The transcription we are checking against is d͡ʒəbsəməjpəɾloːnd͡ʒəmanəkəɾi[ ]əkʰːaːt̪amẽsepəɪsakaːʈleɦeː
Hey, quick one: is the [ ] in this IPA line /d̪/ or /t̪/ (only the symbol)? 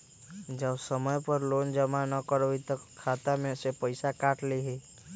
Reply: t̪